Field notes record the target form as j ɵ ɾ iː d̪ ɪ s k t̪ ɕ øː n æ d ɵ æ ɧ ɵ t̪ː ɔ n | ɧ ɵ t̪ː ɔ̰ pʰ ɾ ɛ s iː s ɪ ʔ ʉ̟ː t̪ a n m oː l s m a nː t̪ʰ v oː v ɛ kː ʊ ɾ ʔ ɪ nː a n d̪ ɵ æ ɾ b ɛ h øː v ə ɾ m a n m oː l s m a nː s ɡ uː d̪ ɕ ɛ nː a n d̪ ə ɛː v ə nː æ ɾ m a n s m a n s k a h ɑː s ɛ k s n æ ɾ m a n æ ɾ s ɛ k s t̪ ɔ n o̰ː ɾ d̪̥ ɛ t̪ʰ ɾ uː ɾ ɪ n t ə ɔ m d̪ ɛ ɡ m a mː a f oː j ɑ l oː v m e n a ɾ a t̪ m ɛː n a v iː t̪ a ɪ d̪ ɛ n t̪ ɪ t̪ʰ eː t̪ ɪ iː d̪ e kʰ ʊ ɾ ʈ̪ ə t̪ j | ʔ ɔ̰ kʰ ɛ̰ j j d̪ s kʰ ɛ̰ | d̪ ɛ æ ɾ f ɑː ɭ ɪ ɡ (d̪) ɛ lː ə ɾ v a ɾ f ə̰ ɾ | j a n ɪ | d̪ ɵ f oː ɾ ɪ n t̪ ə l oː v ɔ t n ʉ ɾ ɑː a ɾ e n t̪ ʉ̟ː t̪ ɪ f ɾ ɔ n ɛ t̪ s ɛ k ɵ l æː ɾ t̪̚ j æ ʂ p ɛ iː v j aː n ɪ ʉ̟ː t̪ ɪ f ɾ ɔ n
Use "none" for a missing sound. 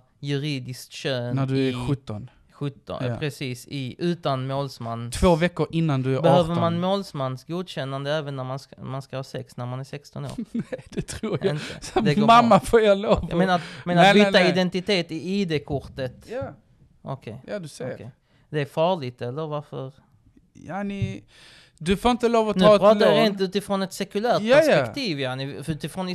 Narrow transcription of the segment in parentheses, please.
t̪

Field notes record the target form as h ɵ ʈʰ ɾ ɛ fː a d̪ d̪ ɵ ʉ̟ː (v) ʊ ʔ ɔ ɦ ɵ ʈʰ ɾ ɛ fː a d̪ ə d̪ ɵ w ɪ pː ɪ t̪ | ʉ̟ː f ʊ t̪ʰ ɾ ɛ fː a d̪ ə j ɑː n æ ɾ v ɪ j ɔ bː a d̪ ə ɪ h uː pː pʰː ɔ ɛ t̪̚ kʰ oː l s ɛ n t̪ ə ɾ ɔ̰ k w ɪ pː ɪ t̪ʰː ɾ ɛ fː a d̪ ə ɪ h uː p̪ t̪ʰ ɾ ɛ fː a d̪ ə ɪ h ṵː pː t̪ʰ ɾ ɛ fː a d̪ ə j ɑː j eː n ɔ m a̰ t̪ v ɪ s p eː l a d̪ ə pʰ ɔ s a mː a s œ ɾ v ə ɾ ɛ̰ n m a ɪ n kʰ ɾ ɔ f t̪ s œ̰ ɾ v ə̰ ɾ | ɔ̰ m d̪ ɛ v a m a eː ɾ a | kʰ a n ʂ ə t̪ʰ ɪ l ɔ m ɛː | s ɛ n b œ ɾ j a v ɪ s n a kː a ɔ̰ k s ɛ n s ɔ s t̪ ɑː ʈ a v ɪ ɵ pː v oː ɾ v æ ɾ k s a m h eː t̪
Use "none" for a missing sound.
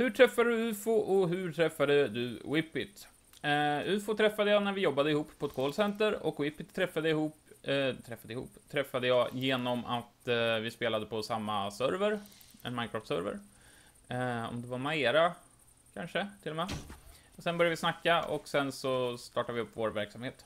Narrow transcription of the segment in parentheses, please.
f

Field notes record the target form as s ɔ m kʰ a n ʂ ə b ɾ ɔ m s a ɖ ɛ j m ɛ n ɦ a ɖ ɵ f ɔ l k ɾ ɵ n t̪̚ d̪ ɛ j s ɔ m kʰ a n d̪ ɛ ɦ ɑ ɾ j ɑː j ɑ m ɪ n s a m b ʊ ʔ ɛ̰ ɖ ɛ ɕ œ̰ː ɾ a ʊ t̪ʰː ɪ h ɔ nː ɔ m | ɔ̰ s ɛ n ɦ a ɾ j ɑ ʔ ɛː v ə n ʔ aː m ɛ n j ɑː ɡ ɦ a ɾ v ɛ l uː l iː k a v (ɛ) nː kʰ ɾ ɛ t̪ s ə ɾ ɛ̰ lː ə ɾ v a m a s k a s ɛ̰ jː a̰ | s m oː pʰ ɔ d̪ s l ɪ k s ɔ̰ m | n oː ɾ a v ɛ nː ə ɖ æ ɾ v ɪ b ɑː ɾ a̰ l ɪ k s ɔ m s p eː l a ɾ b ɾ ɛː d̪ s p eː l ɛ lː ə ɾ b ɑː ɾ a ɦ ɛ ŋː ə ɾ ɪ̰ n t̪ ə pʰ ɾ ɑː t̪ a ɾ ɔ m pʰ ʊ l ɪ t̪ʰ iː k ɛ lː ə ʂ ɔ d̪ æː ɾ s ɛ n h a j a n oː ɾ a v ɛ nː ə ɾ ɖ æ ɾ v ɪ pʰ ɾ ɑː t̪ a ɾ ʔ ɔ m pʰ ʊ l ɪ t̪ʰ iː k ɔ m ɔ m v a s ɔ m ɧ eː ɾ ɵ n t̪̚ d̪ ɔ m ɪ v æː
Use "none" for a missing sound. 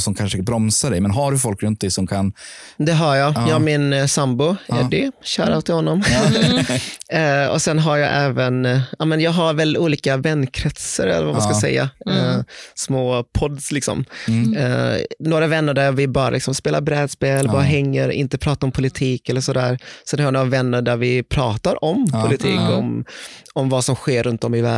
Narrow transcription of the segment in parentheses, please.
ɛ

